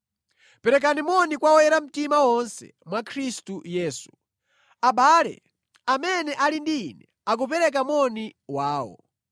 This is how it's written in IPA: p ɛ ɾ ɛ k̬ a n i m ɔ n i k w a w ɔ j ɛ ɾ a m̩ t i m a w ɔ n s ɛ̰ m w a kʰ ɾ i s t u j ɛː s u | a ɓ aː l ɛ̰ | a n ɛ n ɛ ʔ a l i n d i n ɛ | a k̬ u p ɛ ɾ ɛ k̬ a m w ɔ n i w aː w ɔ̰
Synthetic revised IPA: p ɛ ɾ ɛ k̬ a n i m ɔ n i k w a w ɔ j ɛ ɾ a m̩ t i m a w ɔ n s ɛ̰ m w a kʰ ɾ i s t u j ɛː s u | a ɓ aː l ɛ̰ | a m ɛ n ɛ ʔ a l i n d i n ɛ | a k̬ u p ɛ ɾ ɛ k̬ a m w ɔ n i w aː w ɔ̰